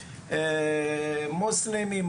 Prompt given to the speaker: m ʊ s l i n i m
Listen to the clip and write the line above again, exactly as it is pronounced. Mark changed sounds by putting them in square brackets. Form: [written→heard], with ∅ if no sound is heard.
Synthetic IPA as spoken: m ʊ s l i [n→m] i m